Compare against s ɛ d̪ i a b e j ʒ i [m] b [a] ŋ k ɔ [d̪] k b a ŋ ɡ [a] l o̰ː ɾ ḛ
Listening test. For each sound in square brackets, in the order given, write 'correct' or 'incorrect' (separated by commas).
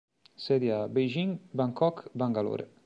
incorrect, correct, incorrect, correct